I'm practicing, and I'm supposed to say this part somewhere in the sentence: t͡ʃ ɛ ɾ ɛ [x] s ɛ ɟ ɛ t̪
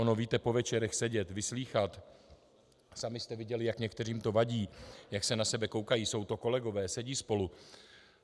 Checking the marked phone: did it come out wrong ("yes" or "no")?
no